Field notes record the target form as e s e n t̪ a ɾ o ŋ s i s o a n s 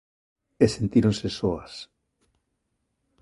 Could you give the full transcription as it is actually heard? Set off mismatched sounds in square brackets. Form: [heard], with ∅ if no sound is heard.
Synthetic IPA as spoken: e s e n t̪ [i] ɾ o [n] s [e] s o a [∅] s

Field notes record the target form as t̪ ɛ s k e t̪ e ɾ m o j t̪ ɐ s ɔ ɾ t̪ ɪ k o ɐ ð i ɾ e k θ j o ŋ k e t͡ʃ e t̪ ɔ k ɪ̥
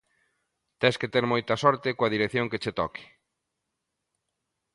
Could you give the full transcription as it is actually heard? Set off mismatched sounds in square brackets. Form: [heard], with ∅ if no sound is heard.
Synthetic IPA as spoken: t̪ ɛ s k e t̪ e ɾ m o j t̪ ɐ s ɔ ɾ t̪ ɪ k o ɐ ð i ɾ e k θ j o ŋ k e t͡ʃ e t̪ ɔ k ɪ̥

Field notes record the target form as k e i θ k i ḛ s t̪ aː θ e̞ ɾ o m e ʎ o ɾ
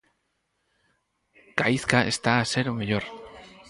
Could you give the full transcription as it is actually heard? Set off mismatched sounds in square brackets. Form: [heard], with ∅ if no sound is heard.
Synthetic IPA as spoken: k [a] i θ k [a] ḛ s t̪ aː [s] e̞ ɾ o m e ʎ o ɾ

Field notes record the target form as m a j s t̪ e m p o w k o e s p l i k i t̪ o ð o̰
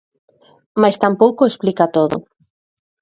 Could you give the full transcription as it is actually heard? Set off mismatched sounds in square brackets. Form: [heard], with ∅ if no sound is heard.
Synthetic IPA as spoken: m a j s t̪ [a] m p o w k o e s p l i k [a] t̪ o ð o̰

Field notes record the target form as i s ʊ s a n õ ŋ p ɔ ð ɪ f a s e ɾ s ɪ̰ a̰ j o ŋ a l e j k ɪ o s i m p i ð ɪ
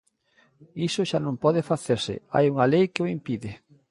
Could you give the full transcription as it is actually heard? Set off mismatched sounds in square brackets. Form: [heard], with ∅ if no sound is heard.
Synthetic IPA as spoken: i s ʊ [ʃ] a n õ [m] p ɔ ð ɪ f a [θ] e ɾ s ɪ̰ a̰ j [u] ŋ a l e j k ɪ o [∅] i m p i ð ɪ

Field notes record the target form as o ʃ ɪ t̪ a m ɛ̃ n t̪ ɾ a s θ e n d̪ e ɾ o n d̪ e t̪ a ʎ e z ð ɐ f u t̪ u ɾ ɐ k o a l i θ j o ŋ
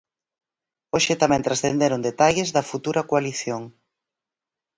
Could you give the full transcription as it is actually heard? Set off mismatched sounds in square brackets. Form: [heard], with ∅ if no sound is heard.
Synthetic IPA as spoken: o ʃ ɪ t̪ a m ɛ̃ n t̪ ɾ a s θ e n d̪ e ɾ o n d̪ e t̪ a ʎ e z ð ɐ f u t̪ u ɾ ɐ k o a l i θ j o ŋ

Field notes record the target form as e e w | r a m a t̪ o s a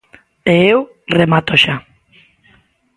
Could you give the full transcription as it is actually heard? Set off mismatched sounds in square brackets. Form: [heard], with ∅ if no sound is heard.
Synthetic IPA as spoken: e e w | r [e] m a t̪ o [ʃ] a

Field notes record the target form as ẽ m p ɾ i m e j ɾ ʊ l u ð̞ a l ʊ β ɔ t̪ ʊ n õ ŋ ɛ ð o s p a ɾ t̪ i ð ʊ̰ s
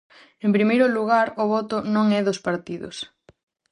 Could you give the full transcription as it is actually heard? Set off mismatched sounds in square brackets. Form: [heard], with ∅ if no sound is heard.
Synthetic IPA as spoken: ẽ m p ɾ i m e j ɾ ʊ l u [ɣ̞] a [ɾ] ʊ β ɔ t̪ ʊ n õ ŋ ɛ ð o s p a ɾ t̪ i ð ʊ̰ s

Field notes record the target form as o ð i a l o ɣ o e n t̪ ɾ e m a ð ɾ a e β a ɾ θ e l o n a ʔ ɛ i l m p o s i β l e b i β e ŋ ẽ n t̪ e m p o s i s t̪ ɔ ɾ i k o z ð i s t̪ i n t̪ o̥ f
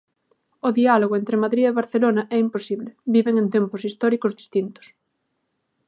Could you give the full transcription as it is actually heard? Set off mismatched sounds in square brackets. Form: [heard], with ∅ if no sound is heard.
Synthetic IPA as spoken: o ð i a l o ɣ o e n t̪ ɾ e m a ð ɾ [i] e β a ɾ θ e l o n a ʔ ɛ i [∅] m p o s i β l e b i β e ŋ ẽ n t̪ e m p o s i s t̪ ɔ ɾ i k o z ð i s t̪ i n t̪ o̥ [s]

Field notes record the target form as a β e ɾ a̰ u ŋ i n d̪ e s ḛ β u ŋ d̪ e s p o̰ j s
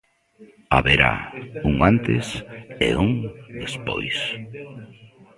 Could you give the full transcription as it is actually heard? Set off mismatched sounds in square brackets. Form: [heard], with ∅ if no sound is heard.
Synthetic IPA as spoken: a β e ɾ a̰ u ŋ [a] n [t̪] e s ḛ [∅] u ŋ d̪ e s p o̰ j s

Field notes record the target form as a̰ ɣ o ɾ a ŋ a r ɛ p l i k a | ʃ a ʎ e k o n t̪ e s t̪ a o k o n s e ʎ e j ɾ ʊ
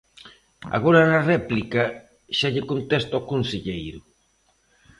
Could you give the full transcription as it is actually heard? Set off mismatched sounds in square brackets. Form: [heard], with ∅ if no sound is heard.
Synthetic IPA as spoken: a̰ ɣ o ɾ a [n] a r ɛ p l i k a | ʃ a ʎ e k o n t̪ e s t̪ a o k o n s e ʎ e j ɾ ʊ

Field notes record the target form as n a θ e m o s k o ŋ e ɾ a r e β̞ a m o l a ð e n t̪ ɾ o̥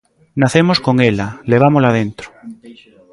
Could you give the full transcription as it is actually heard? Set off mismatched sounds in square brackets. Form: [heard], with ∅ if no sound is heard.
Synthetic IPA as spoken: n a θ e m o s k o ŋ e [l] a [l] e β̞ a m o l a ð e n t̪ ɾ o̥

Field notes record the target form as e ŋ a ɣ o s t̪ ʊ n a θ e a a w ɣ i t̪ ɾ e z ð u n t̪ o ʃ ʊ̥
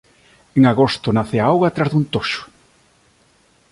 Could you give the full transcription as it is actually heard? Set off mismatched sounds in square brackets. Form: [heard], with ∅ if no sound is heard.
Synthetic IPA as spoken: e ŋ a ɣ o s t̪ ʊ n a θ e a a w ɣ [a] t̪ ɾ [a] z ð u n t̪ o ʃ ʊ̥

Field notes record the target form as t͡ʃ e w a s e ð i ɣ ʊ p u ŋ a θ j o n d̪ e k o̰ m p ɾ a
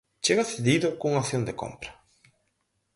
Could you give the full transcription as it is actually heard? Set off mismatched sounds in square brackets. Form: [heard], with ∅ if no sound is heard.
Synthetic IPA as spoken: t͡ʃ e [ɣ] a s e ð i [ð] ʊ [k] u ŋ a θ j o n d̪ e k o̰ m p ɾ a

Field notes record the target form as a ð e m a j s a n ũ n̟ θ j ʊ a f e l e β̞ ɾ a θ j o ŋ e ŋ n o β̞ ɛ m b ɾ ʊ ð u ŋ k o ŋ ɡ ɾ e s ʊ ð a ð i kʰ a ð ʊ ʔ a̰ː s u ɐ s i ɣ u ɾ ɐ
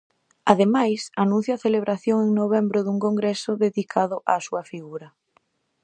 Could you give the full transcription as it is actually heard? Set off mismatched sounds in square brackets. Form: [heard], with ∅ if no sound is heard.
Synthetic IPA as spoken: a ð e m a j s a n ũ n̟ θ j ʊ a [θ] e l e β̞ ɾ a θ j o ŋ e ŋ n o β̞ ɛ m b ɾ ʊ ð u ŋ k o ŋ ɡ ɾ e s ʊ ð [e] ð i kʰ a ð ʊ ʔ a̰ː s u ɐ [f] i ɣ u ɾ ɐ

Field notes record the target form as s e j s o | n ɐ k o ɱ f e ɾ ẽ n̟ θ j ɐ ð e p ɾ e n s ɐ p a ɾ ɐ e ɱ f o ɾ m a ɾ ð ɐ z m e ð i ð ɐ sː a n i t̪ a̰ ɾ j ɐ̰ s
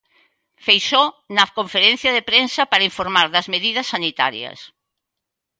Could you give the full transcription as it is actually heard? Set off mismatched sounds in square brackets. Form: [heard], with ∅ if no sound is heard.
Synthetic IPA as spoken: [f] e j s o | n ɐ k o ɱ f e ɾ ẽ n̟ θ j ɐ ð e p ɾ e n s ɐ p a ɾ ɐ [i] ɱ f o ɾ m a ɾ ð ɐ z m e ð i ð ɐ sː a n i t̪ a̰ ɾ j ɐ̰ s

